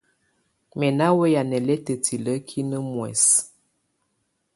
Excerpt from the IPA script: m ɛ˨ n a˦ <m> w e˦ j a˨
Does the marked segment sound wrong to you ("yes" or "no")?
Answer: yes